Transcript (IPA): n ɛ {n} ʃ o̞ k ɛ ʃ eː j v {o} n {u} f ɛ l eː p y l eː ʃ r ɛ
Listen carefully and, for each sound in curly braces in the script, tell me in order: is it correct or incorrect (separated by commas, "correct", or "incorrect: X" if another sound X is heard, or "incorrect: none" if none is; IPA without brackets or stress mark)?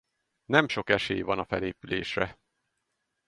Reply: incorrect: m, incorrect: ɒ, incorrect: ɒ